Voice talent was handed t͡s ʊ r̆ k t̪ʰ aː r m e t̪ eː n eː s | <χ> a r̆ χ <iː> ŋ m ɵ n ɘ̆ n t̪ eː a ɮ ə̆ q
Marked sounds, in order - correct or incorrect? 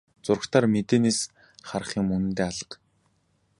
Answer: correct, correct

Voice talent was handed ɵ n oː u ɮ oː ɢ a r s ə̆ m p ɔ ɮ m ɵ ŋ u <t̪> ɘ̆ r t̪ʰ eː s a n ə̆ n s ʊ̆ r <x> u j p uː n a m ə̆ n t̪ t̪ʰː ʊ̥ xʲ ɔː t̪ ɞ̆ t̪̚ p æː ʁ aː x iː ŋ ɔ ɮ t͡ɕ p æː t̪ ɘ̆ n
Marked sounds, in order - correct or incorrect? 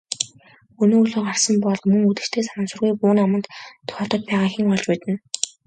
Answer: correct, incorrect: ɣ

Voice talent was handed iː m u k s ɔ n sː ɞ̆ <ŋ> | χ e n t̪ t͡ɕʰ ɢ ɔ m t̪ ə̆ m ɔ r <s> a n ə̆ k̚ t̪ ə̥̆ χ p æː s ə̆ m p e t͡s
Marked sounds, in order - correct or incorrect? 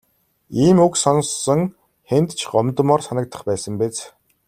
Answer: correct, correct

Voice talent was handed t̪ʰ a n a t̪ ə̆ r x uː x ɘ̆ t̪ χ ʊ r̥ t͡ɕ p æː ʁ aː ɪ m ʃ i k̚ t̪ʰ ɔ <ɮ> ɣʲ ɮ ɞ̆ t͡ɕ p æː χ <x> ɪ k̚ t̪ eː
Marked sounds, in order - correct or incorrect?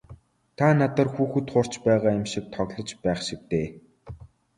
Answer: incorrect: none, incorrect: ʃ

